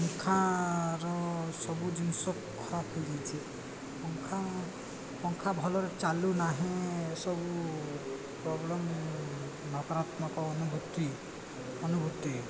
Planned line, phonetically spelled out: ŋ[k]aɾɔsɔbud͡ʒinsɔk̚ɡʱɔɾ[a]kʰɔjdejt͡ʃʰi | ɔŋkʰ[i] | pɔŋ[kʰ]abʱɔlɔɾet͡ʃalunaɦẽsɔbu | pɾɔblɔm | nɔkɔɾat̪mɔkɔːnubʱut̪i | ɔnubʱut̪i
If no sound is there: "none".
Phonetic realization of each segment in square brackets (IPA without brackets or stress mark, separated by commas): kʰ, a, a, kʰ